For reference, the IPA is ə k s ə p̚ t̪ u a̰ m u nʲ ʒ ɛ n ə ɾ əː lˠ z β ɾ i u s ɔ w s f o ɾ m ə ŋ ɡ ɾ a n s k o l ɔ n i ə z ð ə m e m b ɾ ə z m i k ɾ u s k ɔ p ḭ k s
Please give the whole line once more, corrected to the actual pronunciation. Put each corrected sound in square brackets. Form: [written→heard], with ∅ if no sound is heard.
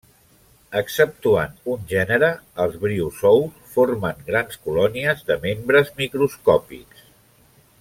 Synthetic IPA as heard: ə k s ə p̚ t̪ u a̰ [m→n] u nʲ ʒ ɛ n ə ɾ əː lˠ z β ɾ i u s ɔ w s f o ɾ m ə ŋ ɡ ɾ a n s k [o→u] l ɔ n i ə z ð ə m e m b ɾ ə z m i k ɾ u s k ɔ p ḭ k s